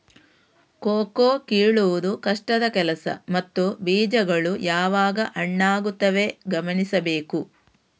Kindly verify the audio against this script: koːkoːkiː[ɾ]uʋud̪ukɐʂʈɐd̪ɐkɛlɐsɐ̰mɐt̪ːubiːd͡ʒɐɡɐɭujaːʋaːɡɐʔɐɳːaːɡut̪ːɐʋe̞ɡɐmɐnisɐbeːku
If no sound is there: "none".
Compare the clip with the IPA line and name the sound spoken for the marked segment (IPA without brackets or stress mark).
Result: ɭ